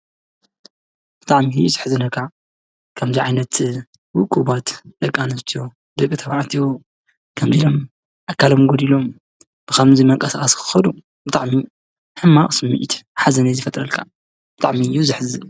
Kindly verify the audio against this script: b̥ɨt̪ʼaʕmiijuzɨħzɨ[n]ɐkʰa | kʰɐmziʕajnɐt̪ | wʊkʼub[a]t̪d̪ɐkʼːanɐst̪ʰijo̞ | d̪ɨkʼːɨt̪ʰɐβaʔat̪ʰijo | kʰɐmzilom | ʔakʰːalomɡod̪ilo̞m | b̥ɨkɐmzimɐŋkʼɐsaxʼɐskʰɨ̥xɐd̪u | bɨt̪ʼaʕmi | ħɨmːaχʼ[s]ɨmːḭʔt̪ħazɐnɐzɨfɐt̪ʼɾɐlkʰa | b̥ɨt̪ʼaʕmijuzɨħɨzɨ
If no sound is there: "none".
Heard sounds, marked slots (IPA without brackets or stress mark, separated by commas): n, a, s